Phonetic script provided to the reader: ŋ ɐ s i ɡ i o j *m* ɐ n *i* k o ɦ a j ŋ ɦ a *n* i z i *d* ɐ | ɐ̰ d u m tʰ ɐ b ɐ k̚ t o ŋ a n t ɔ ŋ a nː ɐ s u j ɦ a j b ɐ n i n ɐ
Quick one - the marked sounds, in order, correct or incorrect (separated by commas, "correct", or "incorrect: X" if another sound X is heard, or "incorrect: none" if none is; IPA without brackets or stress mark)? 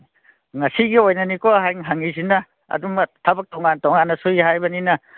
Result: incorrect: n, correct, incorrect: ŋ, incorrect: n